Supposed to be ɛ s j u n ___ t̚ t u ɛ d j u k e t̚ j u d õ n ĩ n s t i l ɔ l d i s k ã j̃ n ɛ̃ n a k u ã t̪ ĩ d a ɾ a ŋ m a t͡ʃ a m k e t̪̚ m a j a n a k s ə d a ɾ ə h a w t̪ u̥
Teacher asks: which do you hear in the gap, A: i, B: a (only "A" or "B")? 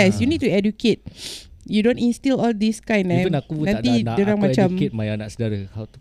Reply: A